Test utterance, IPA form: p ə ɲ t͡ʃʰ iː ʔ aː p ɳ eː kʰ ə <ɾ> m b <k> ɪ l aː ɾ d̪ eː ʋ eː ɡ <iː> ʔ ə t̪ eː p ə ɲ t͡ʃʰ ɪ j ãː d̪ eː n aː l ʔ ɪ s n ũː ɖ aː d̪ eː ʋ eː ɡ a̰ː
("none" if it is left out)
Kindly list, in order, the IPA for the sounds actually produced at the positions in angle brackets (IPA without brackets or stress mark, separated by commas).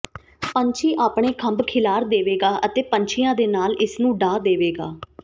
none, kʰ, aː